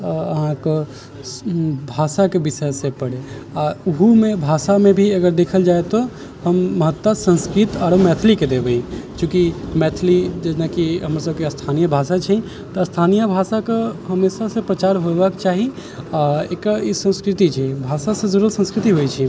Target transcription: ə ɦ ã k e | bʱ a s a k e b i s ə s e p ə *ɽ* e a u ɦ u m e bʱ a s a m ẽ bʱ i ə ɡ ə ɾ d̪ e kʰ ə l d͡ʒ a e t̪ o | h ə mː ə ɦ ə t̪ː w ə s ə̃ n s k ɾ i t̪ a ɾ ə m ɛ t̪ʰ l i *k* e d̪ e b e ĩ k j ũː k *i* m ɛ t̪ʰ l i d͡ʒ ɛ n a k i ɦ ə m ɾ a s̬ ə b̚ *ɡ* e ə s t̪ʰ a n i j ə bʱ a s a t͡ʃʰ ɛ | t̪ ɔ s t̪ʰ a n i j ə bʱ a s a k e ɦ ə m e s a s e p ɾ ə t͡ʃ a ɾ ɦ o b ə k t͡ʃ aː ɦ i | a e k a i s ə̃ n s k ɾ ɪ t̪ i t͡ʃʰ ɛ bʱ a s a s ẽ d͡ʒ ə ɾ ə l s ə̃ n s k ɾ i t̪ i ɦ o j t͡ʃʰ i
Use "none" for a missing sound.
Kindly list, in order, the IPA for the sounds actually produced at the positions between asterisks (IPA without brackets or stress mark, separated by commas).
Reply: ɽ, k, i, k